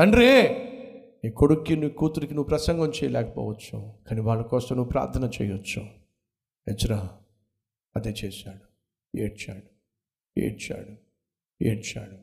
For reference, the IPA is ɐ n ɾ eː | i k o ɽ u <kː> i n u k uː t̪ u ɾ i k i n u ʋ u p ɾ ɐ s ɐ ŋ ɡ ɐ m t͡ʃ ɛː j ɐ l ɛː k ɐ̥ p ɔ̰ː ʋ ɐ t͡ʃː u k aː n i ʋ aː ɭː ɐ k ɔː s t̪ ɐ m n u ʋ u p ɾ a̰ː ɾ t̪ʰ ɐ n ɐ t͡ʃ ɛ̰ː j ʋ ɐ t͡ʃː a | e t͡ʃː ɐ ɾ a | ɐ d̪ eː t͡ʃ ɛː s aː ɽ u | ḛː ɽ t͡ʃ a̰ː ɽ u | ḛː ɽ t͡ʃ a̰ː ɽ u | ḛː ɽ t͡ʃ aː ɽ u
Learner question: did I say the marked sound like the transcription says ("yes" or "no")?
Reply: yes